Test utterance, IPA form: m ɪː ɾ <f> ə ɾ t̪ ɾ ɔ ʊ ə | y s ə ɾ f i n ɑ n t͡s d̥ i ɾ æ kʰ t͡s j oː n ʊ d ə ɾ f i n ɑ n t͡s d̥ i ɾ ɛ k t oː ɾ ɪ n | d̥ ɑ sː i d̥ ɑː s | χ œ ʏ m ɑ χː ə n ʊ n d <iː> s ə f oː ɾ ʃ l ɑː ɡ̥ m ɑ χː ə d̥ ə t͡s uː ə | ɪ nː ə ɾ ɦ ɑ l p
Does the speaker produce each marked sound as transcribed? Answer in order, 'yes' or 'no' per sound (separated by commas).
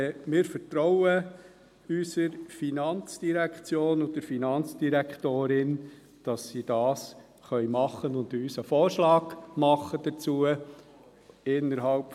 yes, no